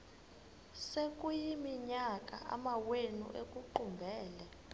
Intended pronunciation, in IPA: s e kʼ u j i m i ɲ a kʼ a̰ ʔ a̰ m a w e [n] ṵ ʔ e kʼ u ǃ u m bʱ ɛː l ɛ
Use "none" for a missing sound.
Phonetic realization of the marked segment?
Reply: n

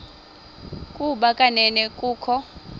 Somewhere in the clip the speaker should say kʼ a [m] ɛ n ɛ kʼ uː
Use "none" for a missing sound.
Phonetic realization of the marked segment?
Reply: n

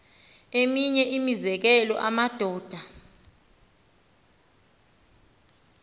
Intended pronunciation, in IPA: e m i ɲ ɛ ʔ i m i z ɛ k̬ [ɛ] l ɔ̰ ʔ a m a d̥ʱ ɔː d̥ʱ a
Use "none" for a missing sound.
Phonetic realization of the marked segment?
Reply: ɛ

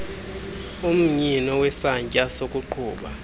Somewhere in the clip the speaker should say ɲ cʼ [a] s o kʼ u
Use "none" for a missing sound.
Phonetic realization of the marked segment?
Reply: a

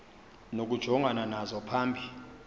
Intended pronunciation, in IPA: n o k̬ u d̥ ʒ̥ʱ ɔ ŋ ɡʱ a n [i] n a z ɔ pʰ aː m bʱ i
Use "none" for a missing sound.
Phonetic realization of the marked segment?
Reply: a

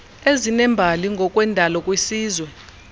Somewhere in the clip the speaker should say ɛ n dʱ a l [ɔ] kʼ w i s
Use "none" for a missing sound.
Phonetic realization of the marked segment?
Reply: ɔ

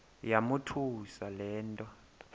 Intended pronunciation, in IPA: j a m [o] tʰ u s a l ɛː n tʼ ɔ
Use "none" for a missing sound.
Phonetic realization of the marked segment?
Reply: u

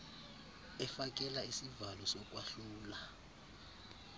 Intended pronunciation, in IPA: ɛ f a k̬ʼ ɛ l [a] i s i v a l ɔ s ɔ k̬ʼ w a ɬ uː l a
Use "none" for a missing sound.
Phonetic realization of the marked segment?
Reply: a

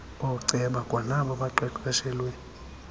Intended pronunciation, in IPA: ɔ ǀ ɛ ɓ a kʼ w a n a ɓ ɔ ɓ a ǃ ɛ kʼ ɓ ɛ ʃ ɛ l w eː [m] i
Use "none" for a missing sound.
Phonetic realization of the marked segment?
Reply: n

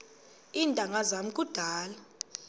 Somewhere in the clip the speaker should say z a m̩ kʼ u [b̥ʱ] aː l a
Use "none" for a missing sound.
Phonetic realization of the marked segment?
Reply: d̥ʱ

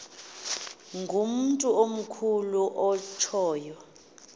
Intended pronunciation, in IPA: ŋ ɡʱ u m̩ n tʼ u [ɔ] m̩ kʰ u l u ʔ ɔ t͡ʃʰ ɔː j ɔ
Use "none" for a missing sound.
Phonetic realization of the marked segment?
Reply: o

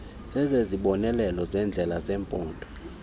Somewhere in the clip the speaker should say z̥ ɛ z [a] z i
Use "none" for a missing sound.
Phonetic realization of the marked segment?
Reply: e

